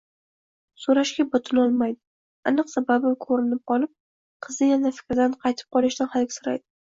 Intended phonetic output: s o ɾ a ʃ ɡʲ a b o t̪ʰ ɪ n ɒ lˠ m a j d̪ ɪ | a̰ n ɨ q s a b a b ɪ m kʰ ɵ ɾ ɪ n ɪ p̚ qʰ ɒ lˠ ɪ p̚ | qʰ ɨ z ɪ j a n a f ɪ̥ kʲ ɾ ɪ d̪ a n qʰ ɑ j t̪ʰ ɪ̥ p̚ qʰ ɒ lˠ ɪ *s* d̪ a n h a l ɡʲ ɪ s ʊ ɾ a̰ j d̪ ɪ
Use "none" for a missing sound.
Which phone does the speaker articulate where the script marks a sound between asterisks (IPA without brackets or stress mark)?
ʃ